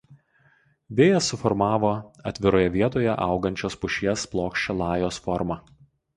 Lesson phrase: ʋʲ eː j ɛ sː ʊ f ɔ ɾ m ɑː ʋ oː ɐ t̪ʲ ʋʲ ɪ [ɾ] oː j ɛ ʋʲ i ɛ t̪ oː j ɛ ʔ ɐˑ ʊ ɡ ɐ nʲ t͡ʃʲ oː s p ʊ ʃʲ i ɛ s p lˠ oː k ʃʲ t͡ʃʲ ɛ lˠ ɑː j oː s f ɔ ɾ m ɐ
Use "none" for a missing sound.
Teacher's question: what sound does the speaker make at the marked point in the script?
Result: ɾ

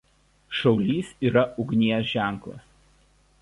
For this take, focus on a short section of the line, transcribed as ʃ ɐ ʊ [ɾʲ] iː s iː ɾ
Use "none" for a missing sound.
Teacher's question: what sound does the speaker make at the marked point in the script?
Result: lʲ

